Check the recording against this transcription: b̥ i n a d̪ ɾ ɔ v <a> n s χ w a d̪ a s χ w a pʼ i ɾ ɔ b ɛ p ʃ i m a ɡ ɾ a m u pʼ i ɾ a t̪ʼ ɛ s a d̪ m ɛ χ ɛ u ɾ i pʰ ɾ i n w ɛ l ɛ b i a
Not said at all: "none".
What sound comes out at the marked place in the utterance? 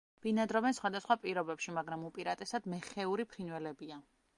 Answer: ɛ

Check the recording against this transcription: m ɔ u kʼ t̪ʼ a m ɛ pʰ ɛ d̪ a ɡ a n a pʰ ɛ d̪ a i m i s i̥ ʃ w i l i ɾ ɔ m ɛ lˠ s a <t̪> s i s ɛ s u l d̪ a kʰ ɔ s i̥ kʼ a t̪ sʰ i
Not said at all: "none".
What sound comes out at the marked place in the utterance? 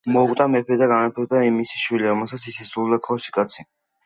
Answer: t̪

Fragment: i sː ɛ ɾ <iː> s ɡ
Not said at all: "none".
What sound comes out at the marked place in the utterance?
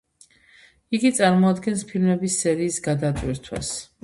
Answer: iː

